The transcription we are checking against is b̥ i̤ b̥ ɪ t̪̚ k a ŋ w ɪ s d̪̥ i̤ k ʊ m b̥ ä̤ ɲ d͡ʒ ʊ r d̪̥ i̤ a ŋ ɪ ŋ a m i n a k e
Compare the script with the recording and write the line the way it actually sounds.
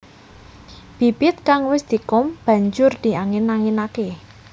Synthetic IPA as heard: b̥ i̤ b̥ ɪ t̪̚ k a ŋ w ɪ s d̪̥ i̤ k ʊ m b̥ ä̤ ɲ d͡ʒ ʊ r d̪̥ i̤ a ŋ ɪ n a ŋ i n a k e